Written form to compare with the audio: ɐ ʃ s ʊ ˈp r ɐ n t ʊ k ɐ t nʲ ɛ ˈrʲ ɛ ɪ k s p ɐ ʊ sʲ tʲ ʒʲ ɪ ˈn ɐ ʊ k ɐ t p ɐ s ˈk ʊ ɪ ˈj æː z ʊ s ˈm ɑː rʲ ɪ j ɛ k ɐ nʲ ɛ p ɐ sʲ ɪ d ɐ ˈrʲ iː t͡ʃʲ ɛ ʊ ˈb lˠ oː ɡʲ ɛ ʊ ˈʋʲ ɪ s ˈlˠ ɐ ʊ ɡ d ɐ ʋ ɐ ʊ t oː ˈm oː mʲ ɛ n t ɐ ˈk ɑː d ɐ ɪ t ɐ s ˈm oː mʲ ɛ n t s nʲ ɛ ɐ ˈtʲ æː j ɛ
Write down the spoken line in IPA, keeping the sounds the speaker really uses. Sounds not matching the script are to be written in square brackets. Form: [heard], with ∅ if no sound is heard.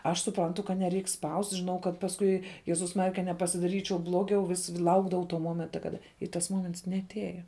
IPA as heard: ɐ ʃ s ʊ ˈp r ɐ n t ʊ k ɐ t nʲ ɛ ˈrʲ ɛ ɪ k s p ɐ ʊ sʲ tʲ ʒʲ ɪ ˈn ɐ ʊ k ɐ t p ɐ s ˈk ʊ ɪ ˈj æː z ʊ s ˈm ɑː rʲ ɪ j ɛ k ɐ nʲ ɛ p ɐ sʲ ɪ d ɐ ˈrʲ iː t͡ʃʲ ɛ ʊ ˈb lˠ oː ɡʲ ɛ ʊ ˈʋʲ ɪ s ˈlˠ ɐ ʊ ɡ d ɐ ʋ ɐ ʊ t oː ˈm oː mʲ ɛ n t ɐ ˈk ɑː d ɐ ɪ t ɐ s ˈm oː mʲ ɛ n t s nʲ ɛ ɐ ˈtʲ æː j ɛ